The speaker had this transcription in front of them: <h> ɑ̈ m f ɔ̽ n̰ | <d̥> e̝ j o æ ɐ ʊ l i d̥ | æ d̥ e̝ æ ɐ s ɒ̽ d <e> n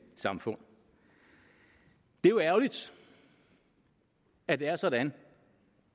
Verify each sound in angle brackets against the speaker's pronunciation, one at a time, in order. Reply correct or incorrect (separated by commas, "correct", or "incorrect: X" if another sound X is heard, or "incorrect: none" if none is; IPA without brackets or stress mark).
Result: incorrect: s, correct, incorrect: æ